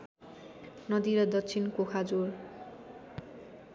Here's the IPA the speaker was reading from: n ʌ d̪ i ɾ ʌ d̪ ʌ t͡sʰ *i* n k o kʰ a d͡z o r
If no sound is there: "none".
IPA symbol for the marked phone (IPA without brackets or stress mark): i